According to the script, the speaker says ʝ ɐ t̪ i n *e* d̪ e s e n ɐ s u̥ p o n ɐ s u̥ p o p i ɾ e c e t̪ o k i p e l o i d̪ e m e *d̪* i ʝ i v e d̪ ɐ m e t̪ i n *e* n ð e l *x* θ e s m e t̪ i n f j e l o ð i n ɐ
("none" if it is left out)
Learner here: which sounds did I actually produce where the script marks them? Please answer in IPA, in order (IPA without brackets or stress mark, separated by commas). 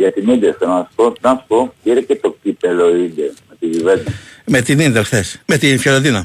i, t̪, i, x